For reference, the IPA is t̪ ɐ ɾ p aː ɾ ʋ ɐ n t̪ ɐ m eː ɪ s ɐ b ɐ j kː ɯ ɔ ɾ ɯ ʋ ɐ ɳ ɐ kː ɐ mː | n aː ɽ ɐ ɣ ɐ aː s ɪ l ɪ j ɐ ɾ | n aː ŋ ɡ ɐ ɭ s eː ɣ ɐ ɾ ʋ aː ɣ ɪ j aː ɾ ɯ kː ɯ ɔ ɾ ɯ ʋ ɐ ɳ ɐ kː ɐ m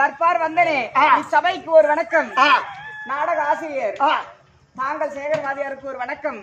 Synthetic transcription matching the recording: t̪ ɐ ɾ p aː ɾ ʋ ɐ n d̪ ɐ n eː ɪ s ɐ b ɐ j kː ɯ ɔ ɾ ɯ ʋ ɐ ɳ ɐ kː ɐ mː | n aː ɽ ɐ ɣ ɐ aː s ɪ ɾ ɪ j ɐ ɾ | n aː ŋ ɡ ɐ ɭ s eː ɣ ɐ ɾ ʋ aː ð ɪ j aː ɾ ɯ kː ɯ ɔ ɾ ɯ ʋ ɐ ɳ ɐ kː ɐ m